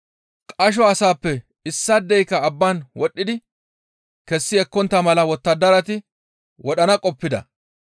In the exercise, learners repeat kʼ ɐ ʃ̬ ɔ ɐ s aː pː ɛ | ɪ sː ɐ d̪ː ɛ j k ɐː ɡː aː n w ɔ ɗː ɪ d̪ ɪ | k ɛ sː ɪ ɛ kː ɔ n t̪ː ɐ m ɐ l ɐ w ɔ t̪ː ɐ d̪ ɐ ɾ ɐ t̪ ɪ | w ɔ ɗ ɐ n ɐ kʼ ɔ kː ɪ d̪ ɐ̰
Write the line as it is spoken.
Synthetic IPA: kʼ ɐ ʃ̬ ɔ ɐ s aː pː ɛ | ɪ sː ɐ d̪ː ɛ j k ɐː bː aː n w ɔ ɗː ɪ d̪ ɪ | k ɛ sː ɪ ɛ kː ɔ n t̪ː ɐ m ɐ l ɐ w ɔ t̪ː ɐ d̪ ɐ ɾ ɐ t̪ ɪ | w ɔ ɗ ɐ n ɐ kʼ ɔ pː ɪ d̪ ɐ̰